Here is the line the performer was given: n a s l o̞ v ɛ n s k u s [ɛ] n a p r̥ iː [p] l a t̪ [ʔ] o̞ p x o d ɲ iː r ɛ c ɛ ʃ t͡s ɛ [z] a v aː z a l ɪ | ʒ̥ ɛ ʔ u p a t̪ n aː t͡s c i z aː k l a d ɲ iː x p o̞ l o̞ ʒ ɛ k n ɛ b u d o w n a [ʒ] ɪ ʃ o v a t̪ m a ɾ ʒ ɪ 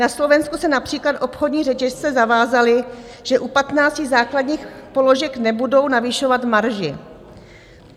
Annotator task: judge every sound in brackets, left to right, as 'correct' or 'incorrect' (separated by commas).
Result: correct, incorrect, correct, correct, incorrect